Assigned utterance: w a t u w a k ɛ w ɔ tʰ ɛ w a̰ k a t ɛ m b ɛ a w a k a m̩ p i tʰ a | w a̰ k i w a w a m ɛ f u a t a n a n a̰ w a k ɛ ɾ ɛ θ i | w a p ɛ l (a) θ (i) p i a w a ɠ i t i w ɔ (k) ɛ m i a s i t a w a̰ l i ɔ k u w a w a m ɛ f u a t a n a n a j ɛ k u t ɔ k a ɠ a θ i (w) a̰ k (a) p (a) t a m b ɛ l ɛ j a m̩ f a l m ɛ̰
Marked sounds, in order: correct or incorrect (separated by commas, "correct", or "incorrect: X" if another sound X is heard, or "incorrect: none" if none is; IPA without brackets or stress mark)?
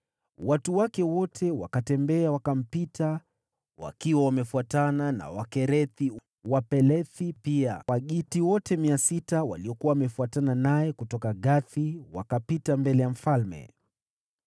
incorrect: ɛ, correct, incorrect: t, correct, correct, incorrect: i